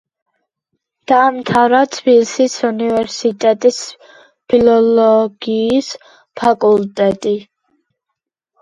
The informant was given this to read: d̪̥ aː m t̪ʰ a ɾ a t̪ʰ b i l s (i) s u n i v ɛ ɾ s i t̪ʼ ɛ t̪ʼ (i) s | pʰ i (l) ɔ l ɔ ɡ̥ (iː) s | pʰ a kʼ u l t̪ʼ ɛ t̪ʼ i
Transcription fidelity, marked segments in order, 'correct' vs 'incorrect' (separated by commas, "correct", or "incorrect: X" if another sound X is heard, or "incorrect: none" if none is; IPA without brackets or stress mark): correct, correct, correct, correct